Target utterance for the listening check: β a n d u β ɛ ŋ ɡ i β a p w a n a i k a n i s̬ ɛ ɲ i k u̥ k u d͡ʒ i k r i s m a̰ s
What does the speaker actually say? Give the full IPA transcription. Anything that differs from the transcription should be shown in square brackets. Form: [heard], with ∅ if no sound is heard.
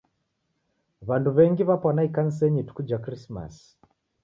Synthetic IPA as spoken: β a n d u β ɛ ŋ ɡ i β a p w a n a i k a n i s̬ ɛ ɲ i [t] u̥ k u d͡ʒ [a] k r i s m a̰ s

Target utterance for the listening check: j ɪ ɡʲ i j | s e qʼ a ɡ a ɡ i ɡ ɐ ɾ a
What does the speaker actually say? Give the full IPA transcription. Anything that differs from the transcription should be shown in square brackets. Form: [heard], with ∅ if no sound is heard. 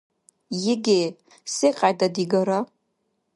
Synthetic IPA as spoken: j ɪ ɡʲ [e] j | s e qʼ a [d] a [d] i ɡ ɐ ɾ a

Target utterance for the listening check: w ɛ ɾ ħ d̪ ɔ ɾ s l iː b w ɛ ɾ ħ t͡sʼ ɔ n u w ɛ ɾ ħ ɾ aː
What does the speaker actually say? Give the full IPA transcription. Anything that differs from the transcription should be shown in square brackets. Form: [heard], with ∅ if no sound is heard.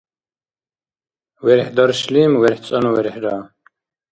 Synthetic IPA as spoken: w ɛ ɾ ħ d̪ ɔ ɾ [ʃ] l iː [m] w ɛ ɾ ħ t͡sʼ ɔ n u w ɛ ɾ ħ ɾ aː

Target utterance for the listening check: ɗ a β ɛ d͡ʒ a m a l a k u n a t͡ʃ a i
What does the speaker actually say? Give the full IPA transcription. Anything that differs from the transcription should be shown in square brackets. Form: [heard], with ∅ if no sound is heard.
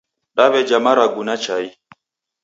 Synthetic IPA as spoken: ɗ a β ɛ d͡ʒ a m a [ɾ] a [ɡ] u n a t͡ʃ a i

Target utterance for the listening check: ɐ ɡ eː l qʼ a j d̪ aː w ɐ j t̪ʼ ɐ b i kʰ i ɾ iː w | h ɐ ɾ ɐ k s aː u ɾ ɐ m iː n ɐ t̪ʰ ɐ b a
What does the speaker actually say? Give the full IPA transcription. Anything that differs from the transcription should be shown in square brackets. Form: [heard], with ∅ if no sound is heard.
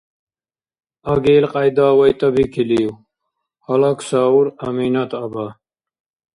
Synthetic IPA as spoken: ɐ ɡ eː l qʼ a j d̪ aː w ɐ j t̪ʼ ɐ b i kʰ i [l] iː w | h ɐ [l] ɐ k s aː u ɾ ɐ m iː n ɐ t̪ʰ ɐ b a

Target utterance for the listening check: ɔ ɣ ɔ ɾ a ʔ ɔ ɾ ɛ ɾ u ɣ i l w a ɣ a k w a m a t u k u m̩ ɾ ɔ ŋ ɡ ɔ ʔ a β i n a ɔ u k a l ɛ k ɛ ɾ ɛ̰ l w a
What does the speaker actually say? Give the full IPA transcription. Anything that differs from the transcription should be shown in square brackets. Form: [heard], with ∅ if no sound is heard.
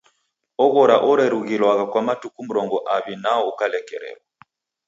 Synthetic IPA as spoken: ɔ ɣ ɔ ɾ a ʔ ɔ ɾ ɛ ɾ u ɣ i l w a ɣ a k w a m a t u k u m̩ ɾ ɔ ŋ ɡ ɔ ʔ a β i n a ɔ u k a l ɛ k ɛ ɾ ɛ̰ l w a

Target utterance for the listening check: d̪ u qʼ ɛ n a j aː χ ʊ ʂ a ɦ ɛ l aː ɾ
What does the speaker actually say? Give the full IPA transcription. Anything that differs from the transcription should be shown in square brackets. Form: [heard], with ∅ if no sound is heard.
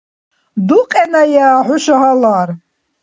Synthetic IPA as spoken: d̪ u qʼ ɛ n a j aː [ħ] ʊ [ʃ] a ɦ [a] l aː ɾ

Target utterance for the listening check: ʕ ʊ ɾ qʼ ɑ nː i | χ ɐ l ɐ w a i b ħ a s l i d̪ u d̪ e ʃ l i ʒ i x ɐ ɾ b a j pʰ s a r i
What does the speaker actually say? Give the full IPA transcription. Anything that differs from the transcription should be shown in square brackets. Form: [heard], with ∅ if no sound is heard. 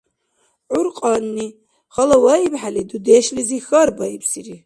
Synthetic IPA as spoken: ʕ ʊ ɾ qʼ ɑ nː i | χ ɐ l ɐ w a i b ħ a [∅] l i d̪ u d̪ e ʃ l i [z] i x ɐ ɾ b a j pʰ s [i] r i

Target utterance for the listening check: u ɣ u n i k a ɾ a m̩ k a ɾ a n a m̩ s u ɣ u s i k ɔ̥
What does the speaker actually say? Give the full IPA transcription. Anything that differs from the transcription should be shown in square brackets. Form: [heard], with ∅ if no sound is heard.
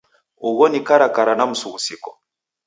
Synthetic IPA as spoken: u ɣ [ɔ] n i k a ɾ a [∅] k a ɾ a n a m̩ s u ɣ u s i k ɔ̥

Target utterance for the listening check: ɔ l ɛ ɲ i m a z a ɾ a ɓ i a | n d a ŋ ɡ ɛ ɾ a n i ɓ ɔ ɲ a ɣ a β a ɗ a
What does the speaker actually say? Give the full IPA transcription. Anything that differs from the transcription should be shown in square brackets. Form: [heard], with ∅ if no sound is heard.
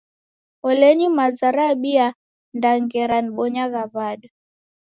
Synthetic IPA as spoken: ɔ l ɛ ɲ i m a z a ɾ a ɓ i a | n d a ŋ ɡ ɛ ɾ a n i ɓ ɔ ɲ a ɣ a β a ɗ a

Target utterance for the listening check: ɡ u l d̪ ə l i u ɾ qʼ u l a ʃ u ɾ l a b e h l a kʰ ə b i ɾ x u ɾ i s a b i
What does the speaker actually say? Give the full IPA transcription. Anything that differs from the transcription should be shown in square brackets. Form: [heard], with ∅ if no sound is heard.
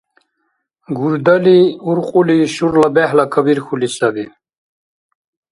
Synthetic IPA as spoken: ɡ u [ɾ] d̪ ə l i u ɾ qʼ u l [i] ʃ u ɾ l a b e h l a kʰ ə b i ɾ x u [l] i s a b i

